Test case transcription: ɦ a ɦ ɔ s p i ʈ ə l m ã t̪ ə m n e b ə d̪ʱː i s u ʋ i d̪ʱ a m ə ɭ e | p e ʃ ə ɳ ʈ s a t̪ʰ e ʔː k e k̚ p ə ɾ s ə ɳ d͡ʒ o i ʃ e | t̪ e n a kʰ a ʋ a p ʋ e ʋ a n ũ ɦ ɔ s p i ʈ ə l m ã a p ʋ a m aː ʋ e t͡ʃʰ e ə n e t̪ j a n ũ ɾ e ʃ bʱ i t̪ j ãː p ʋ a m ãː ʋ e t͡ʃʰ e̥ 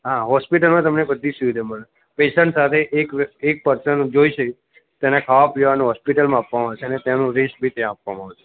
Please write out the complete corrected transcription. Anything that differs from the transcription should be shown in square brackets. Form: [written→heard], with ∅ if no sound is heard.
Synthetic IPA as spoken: ɦ a ɦ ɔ s p i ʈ ə l m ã t̪ ə m n e b ə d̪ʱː i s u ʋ i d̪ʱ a m ə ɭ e | p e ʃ ə ɳ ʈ s a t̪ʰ e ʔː k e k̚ p ə ɾ s ə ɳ d͡ʒ o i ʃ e | t̪ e n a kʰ a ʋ a p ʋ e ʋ a n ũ ɦ ɔ s p i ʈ ə l m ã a p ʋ a m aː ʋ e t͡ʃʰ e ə n e t̪ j a n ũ ɾ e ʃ bʱ i t̪ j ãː p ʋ a m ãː ʋ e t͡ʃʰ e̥